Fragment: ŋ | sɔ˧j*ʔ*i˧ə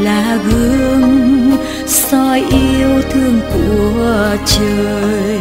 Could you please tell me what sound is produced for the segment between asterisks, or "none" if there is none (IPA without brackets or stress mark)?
ʔ